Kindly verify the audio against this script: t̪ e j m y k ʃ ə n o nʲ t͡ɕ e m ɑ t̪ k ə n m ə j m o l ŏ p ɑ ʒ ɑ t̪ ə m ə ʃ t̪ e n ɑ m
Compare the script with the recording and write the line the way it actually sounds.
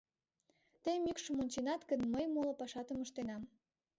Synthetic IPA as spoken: t̪ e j m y k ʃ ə m o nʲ t͡ɕ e n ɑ t̪ k ə n m ə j m o l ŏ p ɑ ʃ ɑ t̪ ə m ə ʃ t̪ e n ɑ m

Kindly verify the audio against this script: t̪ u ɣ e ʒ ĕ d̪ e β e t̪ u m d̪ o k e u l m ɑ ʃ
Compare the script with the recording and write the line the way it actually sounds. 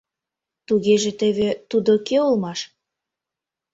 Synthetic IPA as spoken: t̪ u ɣ e ʒ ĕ t̪ e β e t̪ u d̪ o k e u l m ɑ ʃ

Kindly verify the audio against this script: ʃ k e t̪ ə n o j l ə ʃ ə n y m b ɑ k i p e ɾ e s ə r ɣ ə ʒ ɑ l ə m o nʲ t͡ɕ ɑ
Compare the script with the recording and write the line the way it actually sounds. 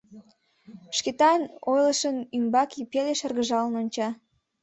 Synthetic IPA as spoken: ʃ k e t̪ ɑ n o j l ə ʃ ə n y m b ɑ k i p e l e ʃ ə r ɣ ə ʒ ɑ l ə n o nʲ t͡ɕ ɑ

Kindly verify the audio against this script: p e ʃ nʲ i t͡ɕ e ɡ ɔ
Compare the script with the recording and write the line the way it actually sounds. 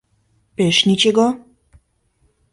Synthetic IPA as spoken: p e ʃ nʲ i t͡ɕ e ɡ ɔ

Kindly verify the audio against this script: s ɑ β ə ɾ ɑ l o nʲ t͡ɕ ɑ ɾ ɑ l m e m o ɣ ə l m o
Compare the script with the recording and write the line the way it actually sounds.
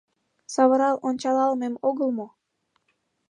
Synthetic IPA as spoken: s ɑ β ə ɾ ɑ l o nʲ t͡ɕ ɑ l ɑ l m e m o ɣ ə l m o

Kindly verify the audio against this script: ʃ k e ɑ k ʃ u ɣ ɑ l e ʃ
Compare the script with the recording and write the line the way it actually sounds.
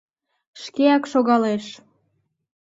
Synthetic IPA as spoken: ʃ k e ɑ k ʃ o ɣ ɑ l e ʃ

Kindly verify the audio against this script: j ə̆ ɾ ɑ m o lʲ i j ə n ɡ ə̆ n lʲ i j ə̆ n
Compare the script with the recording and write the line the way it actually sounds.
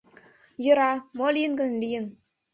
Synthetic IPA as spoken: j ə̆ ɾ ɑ m o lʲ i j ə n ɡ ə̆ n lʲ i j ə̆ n

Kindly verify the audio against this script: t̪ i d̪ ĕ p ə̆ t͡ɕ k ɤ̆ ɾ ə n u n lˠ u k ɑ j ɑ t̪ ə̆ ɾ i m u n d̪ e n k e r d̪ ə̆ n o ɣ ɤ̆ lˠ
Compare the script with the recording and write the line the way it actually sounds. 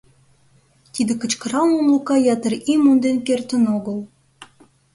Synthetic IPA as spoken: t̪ i d̪ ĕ k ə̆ t͡ɕ k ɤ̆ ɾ ɑ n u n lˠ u k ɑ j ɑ t̪ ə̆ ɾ i m u n d̪ e n k e r t̪ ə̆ n o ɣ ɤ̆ lˠ

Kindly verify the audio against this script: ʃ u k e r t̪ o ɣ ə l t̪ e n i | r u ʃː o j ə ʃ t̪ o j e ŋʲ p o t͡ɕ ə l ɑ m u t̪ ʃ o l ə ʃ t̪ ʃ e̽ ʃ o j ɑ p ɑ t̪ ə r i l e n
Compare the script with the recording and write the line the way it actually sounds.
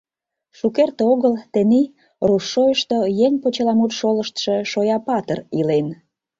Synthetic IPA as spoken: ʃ u k e r t̪ o ɣ ə l t̪ e n i | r u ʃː o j ə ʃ t̪ o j e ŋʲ p o t͡ɕ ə l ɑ m u t̪ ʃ o l ə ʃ t̪ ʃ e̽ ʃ o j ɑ p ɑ t̪ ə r i l e n

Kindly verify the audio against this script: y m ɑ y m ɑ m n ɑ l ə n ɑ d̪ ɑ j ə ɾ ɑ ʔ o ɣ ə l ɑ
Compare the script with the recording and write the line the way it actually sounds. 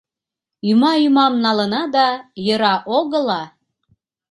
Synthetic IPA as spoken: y m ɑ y m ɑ m n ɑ l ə n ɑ d̪ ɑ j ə ɾ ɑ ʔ o ɣ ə l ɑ

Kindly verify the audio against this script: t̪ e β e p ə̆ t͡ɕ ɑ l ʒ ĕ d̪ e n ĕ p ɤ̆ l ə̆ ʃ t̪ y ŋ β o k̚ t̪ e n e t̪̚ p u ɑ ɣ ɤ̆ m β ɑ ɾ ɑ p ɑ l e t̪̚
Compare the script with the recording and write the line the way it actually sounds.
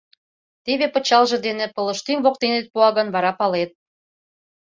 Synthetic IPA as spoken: t̪ e β e p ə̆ t͡ɕ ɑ l ʒ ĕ d̪ e n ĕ p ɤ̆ l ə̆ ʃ t̪ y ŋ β o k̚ t̪ e n e t̪̚ p u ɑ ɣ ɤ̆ n β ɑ ɾ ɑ p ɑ l e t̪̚

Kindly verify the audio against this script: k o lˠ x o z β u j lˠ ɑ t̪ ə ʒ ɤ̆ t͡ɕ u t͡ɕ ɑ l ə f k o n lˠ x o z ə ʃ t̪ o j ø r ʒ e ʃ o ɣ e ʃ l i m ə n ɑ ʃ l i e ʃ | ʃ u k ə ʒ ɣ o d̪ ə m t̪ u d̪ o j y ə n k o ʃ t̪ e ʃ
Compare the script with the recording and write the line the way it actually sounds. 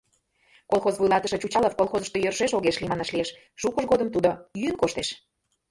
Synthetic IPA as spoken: k o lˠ x o z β u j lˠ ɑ t̪ ə ʃ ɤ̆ t͡ɕ u t͡ɕ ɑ l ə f k o lˠ x o z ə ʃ t̪ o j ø r ʒ e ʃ o ɣ e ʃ l i m ɑ n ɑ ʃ l i e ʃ | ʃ u k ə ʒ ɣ o d̪ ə m t̪ u d̪ o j y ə n k o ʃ t̪ e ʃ

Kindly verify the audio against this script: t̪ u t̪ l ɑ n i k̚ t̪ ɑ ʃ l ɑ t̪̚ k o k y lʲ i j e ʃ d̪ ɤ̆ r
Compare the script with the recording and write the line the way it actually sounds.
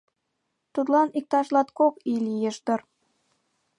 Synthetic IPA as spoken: t̪ u t̪ l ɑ n i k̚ t̪ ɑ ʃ l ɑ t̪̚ k o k i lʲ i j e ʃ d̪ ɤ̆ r

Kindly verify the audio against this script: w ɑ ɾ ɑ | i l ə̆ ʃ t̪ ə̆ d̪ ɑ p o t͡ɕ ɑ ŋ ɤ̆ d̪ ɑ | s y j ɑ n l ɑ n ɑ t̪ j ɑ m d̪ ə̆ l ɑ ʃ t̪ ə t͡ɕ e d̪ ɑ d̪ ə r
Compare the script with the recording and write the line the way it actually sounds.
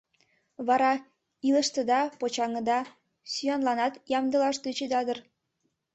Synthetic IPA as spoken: β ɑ ɾ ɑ | i l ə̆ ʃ t̪ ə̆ d̪ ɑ p o t͡ɕ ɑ ŋ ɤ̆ d̪ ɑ | s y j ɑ n l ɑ n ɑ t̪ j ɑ m d̪ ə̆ l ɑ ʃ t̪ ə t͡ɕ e d̪ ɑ d̪ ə r

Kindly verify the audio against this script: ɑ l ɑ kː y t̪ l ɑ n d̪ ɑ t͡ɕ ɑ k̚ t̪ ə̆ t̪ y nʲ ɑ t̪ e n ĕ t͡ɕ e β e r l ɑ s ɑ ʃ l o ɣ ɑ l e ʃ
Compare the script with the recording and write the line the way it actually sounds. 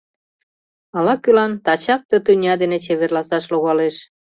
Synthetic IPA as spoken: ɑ l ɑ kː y l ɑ n t̪ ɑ t͡ɕ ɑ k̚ t̪ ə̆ t̪ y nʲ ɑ d̪ e n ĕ t͡ɕ e β e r l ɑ s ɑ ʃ l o ɣ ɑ l e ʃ

